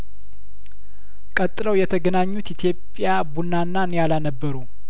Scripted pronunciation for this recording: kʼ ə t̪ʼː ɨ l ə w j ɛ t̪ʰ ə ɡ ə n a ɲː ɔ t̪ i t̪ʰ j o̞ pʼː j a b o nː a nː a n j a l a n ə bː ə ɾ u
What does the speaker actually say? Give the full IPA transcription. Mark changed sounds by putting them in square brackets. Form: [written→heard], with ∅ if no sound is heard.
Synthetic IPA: kʼ ə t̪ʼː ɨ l ə w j ɛ t̪ʰ ə ɡ ə n a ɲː [ɔ→u] t̪ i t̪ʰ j o̞ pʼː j a b [o→u] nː a nː a n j a l a n ə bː ə ɾ u